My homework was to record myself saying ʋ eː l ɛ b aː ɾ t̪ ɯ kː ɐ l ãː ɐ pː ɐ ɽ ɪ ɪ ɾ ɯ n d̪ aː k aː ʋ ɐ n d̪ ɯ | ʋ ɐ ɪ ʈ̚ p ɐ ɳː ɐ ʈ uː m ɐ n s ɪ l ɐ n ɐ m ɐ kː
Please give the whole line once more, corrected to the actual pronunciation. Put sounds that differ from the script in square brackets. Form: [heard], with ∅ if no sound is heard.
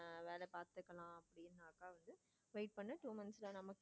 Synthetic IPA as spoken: ʋ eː l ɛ [p] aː ɾ t̪ ɯ kː ɐ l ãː ɐ pː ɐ ɽ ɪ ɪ ɾ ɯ n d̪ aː k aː ʋ ɐ n d̪ ɯ | ʋ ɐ ɪ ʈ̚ p ɐ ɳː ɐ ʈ uː m ɐ n s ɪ l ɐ n ɐ m ɐ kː